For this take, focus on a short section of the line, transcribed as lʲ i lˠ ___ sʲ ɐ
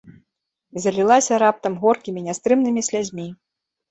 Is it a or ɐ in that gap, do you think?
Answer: a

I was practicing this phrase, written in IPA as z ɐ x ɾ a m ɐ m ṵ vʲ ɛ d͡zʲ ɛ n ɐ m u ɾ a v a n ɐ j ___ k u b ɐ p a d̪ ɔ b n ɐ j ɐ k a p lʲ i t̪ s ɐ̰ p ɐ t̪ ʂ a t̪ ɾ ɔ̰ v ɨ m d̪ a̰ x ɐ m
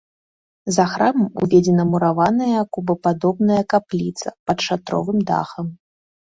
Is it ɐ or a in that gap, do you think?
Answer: ɐ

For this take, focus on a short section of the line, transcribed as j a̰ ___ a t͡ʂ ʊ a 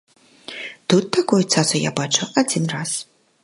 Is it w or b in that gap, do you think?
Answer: b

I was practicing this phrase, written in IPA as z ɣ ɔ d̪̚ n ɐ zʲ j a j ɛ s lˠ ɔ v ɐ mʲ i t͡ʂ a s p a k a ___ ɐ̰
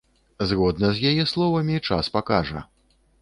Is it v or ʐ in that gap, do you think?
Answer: ʐ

